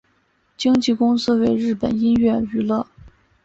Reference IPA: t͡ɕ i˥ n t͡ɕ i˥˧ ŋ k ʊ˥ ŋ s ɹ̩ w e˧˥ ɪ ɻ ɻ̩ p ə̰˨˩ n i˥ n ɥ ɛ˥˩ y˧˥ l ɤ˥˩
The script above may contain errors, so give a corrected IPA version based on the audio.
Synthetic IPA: t͡ɕ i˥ ŋ t͡ɕ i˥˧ k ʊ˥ ŋ s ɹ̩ w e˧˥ ɪ ɻ ɻ̩ p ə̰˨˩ n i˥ n ɥ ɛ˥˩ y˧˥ l ɤ˥˩